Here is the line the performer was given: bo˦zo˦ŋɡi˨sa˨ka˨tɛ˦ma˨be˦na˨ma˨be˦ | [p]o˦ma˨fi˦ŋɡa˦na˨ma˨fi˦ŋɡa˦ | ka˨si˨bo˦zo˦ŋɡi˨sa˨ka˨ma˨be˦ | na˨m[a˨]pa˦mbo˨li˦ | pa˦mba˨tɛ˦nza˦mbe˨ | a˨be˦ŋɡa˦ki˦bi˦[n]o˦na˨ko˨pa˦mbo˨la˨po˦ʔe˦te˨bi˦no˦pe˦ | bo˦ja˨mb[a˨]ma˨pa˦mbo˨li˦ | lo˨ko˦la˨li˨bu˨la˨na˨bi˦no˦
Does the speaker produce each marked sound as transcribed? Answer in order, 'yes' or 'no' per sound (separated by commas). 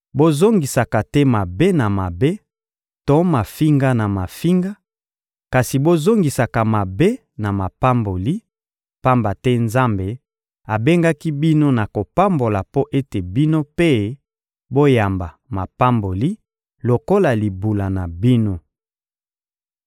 no, yes, yes, yes